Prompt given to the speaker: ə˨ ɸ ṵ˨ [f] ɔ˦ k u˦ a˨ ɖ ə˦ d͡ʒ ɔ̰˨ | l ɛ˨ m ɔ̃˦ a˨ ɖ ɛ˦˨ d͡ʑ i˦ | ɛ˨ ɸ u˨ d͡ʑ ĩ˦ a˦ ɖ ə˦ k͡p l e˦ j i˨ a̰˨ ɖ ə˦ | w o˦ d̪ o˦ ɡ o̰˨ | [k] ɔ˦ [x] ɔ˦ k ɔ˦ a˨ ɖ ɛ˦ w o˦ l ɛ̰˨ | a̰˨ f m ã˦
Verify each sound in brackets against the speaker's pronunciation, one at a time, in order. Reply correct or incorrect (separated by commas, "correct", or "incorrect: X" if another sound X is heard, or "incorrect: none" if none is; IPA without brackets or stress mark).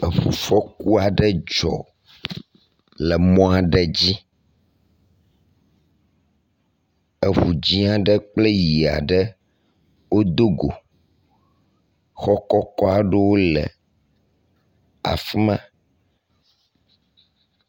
correct, incorrect: x, incorrect: k